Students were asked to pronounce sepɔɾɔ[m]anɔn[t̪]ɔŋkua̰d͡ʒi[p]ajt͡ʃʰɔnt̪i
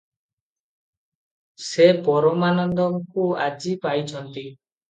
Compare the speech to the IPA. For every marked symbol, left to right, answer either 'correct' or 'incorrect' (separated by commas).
correct, incorrect, correct